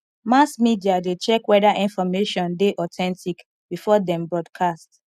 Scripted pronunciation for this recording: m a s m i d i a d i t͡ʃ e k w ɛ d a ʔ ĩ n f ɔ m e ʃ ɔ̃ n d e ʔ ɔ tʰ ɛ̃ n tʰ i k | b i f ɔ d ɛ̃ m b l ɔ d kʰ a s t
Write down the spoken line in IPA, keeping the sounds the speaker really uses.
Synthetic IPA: m a s m i d i a d e t͡ʃ ɛ k w ɛ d a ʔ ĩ n f ɔ m e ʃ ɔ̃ n d e ʔ ɔ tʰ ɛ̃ n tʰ i k | b i f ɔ d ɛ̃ m b ɹ ɔ d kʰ a s t